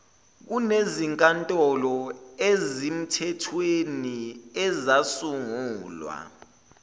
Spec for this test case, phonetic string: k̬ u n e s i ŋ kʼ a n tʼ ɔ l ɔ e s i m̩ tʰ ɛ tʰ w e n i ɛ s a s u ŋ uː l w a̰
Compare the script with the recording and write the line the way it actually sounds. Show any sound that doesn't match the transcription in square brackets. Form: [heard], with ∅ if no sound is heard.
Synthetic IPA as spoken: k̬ u n e [z] i ŋ kʼ a n tʼ ɔ l ɔ e [z] i m̩ tʰ ɛ tʰ w e n i ɛ [z] a s u ŋ uː l w a̰